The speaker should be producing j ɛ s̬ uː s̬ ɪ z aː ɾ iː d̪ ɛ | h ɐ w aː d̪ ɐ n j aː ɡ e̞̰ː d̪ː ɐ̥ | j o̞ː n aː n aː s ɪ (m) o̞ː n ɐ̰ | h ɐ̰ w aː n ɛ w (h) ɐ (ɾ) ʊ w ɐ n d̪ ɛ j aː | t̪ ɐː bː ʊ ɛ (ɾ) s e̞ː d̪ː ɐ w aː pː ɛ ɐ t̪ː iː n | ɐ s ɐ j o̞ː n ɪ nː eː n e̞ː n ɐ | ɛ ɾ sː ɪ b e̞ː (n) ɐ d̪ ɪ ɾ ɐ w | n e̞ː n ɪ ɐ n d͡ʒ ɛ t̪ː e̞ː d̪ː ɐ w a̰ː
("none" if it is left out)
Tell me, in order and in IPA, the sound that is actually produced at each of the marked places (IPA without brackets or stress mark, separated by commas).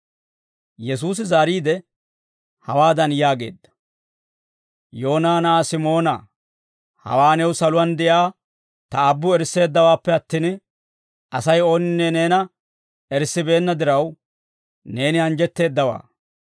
m, s, l, ɾ, nː